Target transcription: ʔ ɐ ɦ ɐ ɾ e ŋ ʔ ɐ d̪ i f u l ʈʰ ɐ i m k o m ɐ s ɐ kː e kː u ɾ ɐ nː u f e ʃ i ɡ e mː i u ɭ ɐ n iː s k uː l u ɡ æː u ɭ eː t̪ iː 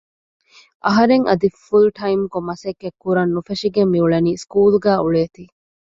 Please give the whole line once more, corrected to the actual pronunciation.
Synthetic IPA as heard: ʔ ɐ ɦ ɐ ɾ e ŋ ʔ ɐ d̪ i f u l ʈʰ ɐ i m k o m ɐ s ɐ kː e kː u ɾ ɐ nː u f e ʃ i ɡ e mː i u ɭ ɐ n iː s k uː l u ɡ æː u ɭ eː t̪ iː